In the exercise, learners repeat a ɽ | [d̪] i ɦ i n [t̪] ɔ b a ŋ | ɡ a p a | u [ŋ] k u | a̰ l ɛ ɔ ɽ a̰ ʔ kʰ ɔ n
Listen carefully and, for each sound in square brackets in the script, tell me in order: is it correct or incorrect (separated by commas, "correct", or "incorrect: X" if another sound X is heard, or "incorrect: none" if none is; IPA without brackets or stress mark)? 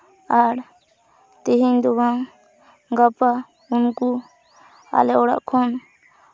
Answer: incorrect: t̪, incorrect: d̪, incorrect: n